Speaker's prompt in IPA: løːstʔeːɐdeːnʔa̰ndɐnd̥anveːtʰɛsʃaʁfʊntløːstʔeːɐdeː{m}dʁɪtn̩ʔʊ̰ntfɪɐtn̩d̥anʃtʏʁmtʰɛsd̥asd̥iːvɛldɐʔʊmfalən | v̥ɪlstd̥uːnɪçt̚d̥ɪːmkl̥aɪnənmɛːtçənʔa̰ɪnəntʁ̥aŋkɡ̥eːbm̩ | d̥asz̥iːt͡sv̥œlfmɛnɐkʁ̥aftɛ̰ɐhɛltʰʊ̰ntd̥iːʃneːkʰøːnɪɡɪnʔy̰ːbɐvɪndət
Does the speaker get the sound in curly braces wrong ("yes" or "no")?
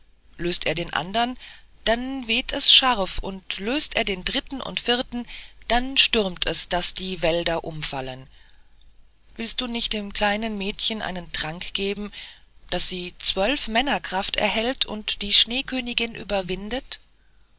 yes